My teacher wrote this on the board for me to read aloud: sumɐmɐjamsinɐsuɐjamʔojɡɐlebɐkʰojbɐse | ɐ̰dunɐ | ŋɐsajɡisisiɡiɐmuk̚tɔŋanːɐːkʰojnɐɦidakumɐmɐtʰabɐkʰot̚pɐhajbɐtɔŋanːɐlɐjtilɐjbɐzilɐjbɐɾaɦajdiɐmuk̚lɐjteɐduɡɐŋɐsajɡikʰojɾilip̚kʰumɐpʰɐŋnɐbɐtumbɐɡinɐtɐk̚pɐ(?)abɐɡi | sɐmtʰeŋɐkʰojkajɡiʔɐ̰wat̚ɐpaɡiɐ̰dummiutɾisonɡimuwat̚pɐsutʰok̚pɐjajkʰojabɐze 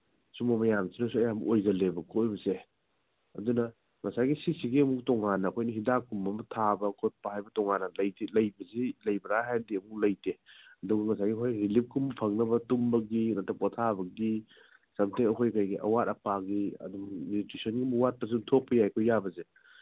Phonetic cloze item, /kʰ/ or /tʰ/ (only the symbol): tʰ